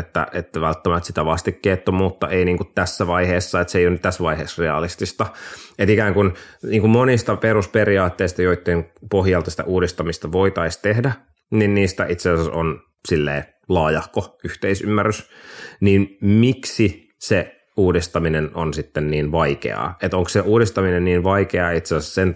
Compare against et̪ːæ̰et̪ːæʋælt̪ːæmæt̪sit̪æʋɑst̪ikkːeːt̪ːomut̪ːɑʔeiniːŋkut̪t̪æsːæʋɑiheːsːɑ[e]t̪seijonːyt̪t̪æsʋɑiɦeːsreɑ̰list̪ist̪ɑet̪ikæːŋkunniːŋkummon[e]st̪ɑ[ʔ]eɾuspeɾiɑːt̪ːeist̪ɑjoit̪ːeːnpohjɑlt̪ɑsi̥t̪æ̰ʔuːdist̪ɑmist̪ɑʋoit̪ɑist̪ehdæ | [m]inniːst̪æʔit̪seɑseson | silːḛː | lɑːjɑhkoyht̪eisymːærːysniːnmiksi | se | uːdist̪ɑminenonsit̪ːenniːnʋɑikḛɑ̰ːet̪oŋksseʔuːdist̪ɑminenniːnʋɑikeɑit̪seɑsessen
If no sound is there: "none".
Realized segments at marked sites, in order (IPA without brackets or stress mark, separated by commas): e, i, p, n